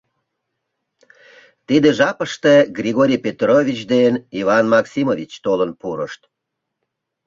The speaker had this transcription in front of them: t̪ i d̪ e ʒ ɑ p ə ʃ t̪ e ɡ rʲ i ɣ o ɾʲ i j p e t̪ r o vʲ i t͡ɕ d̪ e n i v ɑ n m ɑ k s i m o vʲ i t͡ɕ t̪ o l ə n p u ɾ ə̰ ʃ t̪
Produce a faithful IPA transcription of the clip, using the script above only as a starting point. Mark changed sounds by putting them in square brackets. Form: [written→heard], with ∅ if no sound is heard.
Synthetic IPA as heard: t̪ i d̪ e ʒ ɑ p ə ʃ t̪ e ɡ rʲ i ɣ o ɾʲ i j p e t̪ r o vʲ i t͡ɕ d̪ e n i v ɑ n m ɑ k s i m o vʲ i t͡ɕ t̪ o l ə n p u ɾ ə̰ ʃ t̪